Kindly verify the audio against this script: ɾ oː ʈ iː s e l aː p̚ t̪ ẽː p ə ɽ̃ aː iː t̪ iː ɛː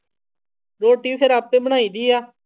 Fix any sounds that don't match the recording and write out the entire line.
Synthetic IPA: ɾ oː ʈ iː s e ɾ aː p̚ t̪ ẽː b ə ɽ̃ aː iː d̪ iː aː